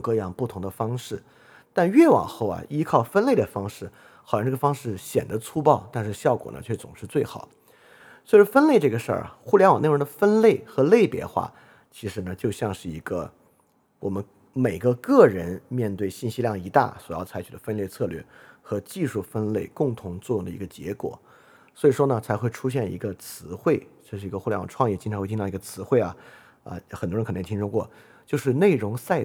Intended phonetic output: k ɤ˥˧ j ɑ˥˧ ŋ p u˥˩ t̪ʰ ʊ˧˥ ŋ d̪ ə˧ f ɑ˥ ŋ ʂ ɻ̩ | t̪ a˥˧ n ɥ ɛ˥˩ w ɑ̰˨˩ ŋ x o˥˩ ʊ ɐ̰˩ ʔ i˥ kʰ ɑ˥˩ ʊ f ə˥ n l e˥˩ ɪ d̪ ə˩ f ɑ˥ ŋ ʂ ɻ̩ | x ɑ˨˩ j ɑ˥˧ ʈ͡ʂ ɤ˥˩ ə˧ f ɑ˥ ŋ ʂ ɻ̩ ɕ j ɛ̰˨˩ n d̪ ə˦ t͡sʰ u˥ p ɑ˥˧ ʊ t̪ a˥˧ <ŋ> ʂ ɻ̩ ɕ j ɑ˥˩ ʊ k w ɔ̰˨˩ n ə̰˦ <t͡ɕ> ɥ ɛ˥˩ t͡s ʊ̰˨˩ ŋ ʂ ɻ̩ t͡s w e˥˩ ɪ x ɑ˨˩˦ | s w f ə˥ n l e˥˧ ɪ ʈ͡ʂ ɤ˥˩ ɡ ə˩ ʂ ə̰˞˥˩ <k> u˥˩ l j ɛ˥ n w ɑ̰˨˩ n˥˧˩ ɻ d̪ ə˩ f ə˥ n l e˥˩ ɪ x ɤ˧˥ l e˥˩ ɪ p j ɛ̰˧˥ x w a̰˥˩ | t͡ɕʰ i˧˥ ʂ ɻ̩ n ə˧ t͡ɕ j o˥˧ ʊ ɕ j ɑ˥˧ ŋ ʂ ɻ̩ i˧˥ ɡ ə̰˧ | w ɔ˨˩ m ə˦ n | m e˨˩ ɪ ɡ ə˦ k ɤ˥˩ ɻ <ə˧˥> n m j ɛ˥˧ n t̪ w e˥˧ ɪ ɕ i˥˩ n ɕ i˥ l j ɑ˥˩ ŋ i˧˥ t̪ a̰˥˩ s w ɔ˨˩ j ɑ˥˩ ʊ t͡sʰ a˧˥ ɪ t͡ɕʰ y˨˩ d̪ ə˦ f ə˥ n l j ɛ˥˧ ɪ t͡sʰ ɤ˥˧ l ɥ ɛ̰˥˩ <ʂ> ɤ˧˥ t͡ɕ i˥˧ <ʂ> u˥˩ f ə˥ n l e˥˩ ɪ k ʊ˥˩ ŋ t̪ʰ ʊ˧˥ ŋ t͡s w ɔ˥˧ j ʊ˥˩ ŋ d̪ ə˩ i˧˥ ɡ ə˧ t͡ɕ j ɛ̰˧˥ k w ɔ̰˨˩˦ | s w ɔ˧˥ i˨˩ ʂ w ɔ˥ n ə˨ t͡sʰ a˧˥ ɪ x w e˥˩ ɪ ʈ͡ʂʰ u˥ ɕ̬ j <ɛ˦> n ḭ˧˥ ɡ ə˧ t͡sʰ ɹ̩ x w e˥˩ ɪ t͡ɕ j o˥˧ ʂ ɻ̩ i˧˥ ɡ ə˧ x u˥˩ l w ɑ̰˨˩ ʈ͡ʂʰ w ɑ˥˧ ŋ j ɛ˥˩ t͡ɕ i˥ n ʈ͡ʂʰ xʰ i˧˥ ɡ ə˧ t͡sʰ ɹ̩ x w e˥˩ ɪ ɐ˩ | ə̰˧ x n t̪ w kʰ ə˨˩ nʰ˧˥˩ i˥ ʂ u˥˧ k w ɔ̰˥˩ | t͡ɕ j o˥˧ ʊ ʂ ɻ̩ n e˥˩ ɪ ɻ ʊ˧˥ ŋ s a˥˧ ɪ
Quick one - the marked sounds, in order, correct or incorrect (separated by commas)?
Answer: incorrect, incorrect, incorrect, correct, incorrect, correct, incorrect